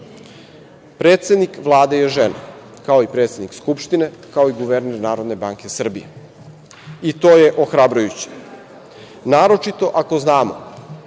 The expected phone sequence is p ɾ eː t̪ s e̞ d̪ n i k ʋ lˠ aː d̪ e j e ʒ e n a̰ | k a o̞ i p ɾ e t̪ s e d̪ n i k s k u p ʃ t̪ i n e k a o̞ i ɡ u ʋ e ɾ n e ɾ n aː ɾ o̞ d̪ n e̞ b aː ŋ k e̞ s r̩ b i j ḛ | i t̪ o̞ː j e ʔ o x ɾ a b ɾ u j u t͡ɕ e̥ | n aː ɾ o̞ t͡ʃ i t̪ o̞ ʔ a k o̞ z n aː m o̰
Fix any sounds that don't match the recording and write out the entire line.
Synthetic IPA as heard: p ɾ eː t̪ s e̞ d̪ n i k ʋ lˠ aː d̪ e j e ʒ e n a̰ | k a o̞ i p ɾ e t̪ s e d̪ n i k s k u p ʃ t̪ i n e k a o̞ i ɡ u ʋ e ɾ n e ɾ n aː ɾ o̞ d̪ n e̞ b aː ŋ k e̞ s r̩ b i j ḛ | i t̪ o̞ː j e ʔ o x ɾ a b ɾ u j u t͡ɕ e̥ | n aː ɾ o̞ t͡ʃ i t̪ o̞ ʔ a k o̞ z n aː m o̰